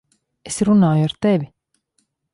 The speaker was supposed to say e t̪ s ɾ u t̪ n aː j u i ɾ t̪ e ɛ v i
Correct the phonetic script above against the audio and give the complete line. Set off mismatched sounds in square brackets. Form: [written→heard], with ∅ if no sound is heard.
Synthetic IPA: e [t̪→∅] s ɾ u [t̪→∅] n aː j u [i→a] ɾ t̪ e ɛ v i